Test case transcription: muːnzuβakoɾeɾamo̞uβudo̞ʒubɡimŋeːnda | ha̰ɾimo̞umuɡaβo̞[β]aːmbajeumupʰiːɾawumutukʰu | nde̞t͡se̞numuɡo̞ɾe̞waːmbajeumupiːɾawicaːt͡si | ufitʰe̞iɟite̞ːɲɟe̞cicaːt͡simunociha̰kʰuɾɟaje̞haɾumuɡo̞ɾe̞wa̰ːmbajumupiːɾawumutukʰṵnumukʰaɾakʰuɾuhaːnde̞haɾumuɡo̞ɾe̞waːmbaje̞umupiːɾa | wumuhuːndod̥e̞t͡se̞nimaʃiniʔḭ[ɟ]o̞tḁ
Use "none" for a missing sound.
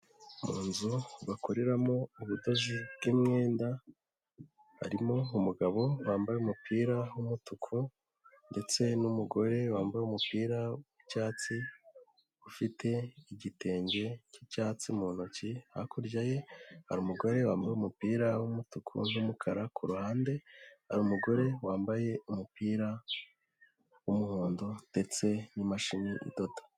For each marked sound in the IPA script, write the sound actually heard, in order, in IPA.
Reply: w, d

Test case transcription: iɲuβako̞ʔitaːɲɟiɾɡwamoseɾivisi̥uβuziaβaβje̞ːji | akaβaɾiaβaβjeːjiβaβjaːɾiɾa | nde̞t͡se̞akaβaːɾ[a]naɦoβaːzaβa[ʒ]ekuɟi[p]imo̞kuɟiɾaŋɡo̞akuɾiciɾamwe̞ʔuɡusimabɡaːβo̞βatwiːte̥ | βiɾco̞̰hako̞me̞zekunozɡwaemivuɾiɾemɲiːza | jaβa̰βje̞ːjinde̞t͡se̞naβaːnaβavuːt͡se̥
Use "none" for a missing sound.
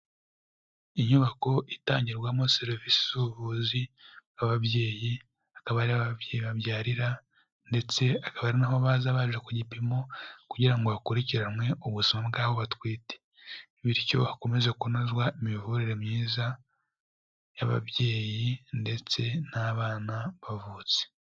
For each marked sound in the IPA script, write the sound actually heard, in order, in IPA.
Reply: i, ʒ, p

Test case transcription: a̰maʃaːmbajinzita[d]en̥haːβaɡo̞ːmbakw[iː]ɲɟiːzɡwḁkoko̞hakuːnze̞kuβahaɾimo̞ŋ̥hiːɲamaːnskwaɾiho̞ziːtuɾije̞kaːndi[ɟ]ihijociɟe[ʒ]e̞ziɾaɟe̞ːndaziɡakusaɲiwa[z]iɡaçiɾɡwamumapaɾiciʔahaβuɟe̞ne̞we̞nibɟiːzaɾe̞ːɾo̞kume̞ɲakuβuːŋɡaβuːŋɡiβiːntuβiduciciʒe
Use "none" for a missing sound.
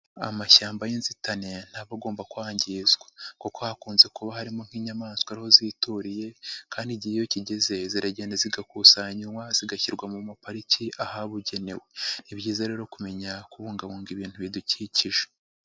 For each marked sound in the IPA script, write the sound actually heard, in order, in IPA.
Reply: n, aː, ɟ, z, z

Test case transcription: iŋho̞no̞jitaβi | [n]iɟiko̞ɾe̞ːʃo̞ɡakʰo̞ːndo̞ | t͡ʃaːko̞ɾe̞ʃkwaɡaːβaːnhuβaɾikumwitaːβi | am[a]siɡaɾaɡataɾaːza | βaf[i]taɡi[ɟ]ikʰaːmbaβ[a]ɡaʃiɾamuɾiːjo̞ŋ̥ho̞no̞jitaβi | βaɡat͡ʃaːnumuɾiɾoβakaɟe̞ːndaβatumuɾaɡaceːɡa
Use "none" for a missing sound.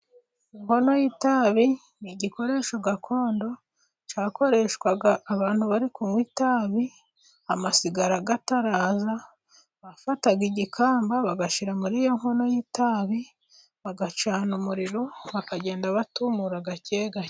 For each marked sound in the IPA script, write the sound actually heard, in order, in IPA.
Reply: n, a, a, ɟ, a

